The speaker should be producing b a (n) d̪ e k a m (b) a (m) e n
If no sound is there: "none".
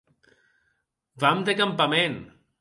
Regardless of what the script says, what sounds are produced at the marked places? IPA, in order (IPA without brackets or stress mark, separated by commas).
m, p, m